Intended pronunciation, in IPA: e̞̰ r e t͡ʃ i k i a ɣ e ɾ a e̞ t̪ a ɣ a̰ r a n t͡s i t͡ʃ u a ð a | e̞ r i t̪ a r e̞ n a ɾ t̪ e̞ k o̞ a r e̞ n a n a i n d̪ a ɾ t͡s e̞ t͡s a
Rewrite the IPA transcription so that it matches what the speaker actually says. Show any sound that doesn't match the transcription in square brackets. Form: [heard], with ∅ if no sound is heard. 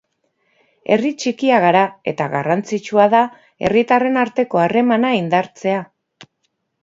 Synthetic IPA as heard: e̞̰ r [i] t͡ʃ i k i a ɣ [a] ɾ a e̞ t̪ a ɣ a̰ r a n t͡s i t͡ʃ u a ð a | e̞ r i t̪ a r e̞ n a ɾ t̪ e̞ k o̞ a r e̞ [m] a n a i n d̪ a ɾ t͡s e̞ [∅] a